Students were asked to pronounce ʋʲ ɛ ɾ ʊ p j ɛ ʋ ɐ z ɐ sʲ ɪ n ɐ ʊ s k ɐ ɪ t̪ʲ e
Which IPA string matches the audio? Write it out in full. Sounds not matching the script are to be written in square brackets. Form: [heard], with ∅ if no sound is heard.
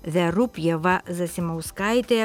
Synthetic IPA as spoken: ʋʲ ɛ ɾ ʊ p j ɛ ʋ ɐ z ɐ sʲ ɪ [m] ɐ ʊ s k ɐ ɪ t̪ʲ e